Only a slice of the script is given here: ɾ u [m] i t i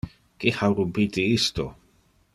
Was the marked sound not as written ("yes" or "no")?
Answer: yes